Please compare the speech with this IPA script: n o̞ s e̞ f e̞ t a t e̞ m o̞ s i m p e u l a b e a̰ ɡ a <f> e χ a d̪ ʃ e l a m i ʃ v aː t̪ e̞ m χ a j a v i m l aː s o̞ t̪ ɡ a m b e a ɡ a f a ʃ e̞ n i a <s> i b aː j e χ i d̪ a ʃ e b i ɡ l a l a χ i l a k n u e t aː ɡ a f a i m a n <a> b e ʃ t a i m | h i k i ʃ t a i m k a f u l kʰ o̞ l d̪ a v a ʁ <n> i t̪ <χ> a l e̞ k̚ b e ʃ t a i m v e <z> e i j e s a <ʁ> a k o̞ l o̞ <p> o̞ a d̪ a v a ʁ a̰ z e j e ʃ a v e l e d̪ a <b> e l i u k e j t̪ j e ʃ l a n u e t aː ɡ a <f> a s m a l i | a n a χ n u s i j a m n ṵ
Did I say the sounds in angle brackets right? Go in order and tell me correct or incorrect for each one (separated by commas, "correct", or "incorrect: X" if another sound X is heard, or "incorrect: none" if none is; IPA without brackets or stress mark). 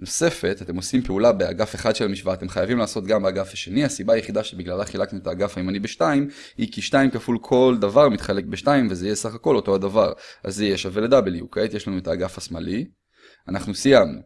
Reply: correct, correct, incorrect: i, incorrect: m, correct, correct, incorrect: χ, incorrect: t, correct, correct